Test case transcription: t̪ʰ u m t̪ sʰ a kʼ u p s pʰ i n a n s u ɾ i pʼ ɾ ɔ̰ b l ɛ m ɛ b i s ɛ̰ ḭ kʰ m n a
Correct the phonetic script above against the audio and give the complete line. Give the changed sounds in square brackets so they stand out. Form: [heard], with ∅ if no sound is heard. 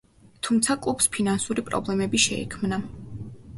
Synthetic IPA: t̪ʰ u m t̪ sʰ a kʼ u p s pʰ i n a n s u ɾ i pʼ ɾ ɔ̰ b l ɛ m ɛ b i [ʃ] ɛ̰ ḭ kʰ m n a